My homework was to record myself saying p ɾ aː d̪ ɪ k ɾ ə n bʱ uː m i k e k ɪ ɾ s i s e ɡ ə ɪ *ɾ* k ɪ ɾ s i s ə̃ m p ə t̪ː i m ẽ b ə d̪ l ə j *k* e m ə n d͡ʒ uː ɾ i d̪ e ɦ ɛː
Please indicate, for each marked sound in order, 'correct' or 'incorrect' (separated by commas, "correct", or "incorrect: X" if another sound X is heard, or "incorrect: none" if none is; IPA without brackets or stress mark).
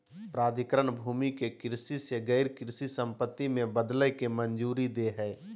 correct, correct